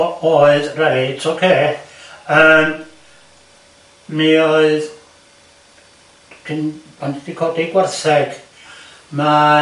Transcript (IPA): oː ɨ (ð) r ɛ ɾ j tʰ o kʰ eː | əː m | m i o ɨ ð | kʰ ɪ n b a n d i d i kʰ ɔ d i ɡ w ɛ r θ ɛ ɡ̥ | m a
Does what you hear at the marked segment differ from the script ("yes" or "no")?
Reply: no